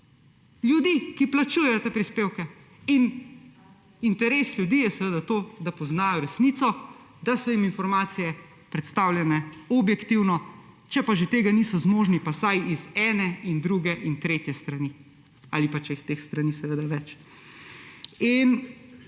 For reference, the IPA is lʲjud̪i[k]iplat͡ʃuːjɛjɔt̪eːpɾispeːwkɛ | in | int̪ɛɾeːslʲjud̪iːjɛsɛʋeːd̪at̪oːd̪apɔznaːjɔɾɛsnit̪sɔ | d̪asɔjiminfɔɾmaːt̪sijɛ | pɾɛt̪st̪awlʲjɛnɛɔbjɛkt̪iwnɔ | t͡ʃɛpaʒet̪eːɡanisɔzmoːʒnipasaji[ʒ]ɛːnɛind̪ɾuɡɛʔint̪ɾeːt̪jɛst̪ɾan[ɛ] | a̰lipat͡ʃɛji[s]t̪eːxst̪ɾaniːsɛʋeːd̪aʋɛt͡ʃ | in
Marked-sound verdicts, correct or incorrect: correct, incorrect, incorrect, incorrect

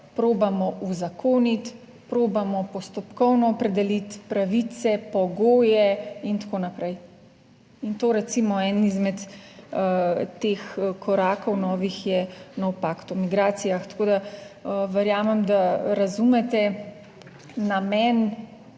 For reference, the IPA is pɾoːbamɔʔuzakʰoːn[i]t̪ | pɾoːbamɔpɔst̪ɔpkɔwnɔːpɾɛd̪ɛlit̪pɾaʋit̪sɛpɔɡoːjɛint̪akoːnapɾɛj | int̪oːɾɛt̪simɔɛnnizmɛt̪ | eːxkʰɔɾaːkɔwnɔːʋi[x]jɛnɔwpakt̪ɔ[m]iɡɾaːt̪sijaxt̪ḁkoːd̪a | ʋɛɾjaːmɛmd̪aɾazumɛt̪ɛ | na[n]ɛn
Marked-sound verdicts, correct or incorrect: correct, correct, correct, incorrect

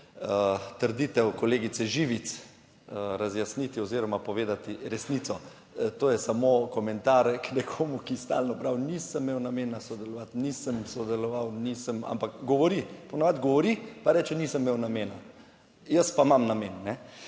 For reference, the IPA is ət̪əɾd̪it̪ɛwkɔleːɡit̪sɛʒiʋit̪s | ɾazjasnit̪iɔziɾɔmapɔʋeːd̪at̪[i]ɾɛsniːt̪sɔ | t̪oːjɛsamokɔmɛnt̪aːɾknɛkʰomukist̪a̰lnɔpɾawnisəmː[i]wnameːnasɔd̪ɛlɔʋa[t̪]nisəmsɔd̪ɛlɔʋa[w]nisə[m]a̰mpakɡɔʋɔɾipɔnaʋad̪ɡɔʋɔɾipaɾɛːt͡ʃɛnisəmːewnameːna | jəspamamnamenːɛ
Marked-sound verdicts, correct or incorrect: correct, incorrect, correct, correct, correct

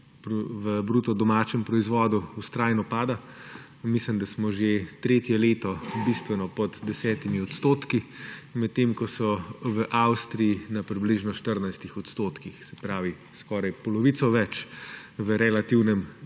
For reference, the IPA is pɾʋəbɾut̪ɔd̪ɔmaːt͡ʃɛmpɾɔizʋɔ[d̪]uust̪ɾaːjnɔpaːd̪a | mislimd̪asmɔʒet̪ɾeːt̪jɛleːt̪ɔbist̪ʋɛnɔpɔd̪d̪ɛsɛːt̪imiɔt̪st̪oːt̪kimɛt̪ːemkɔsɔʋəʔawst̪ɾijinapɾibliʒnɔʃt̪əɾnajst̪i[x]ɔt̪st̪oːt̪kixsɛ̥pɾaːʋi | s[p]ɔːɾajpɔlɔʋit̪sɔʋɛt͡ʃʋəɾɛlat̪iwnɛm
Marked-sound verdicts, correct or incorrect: correct, correct, incorrect

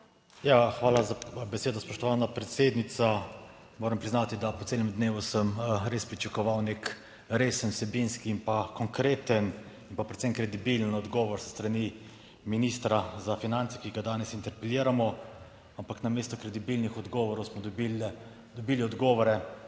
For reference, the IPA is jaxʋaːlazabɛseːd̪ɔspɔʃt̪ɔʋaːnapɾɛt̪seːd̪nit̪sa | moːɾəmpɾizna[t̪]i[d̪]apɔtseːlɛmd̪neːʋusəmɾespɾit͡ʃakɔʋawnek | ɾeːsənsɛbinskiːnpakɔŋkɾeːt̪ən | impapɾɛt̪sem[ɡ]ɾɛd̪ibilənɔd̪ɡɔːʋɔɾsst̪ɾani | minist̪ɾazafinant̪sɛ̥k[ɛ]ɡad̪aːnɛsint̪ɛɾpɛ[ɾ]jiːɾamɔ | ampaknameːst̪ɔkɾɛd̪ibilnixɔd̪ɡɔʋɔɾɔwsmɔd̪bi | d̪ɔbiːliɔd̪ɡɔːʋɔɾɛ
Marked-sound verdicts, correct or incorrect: correct, correct, incorrect, incorrect, incorrect

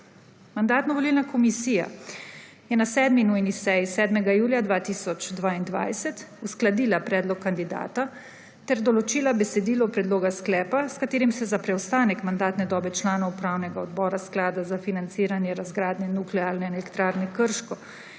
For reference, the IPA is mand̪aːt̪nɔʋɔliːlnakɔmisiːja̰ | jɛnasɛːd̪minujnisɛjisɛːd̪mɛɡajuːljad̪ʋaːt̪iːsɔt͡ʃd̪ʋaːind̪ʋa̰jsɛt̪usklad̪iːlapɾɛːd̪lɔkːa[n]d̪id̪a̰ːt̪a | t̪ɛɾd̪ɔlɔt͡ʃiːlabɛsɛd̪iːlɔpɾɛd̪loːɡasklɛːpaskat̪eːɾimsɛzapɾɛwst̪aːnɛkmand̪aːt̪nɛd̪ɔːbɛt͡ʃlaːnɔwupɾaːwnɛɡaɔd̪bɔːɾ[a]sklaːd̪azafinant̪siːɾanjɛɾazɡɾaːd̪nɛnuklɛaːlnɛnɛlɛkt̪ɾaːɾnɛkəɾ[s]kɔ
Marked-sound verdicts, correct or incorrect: correct, correct, incorrect

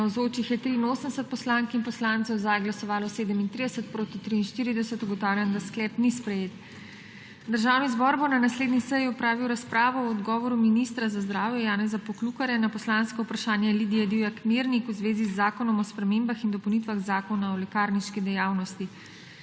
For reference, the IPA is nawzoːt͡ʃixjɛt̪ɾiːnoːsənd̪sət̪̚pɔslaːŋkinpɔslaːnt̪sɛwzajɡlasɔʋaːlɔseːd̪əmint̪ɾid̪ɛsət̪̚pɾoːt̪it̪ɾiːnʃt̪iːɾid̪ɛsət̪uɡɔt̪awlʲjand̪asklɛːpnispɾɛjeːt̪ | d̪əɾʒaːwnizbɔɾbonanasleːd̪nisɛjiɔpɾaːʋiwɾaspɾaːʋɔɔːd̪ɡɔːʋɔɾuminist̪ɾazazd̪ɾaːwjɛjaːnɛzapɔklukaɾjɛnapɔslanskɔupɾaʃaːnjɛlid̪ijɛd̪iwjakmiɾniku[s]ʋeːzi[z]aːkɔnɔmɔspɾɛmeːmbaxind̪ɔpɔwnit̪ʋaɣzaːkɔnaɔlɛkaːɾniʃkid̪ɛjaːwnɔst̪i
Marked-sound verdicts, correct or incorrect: incorrect, incorrect

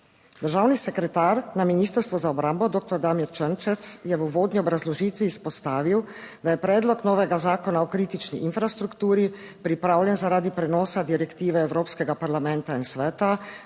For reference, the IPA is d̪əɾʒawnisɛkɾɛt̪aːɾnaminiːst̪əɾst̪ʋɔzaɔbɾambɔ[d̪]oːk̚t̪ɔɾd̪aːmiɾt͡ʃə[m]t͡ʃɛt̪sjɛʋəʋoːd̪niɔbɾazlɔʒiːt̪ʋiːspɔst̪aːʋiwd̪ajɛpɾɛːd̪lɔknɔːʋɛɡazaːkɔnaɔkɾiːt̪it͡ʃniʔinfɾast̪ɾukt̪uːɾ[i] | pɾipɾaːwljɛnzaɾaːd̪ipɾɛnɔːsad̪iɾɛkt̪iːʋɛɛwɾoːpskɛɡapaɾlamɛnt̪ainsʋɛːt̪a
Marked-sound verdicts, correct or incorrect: correct, incorrect, correct

